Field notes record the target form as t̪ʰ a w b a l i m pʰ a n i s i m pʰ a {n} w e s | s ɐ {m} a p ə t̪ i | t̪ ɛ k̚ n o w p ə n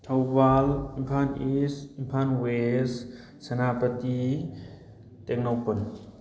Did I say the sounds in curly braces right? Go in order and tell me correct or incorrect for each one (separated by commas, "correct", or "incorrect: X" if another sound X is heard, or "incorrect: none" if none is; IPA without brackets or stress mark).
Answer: correct, incorrect: n